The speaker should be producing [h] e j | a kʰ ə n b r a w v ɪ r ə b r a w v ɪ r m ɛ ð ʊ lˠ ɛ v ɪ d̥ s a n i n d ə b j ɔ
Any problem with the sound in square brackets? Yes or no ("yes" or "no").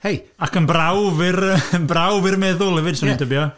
no